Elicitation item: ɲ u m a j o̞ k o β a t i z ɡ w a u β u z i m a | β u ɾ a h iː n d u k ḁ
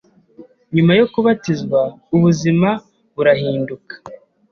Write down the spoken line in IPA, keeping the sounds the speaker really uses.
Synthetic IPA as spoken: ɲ u m a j o̞ k u β a t i z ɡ w a u β u z i m a | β u ɾ a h iː n d u k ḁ